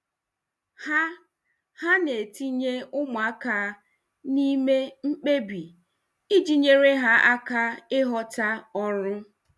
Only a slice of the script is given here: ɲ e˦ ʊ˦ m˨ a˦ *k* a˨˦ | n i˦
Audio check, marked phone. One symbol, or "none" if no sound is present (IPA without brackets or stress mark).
k